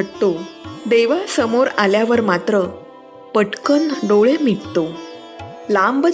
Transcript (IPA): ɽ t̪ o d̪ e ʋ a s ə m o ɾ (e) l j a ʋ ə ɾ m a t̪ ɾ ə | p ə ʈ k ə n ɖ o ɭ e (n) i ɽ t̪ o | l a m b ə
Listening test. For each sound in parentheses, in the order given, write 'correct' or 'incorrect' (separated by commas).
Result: incorrect, incorrect